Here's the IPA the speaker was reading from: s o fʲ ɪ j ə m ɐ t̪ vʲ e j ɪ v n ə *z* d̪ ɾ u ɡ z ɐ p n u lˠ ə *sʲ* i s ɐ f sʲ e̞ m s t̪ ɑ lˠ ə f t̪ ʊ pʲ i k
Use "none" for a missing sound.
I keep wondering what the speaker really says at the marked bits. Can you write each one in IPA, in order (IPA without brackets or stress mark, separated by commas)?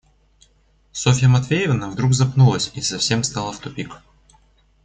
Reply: v, sʲ